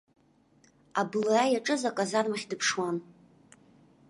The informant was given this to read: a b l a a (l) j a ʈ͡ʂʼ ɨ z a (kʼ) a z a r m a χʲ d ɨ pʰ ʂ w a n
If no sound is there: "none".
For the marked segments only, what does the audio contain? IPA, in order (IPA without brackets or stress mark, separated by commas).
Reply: none, kʼ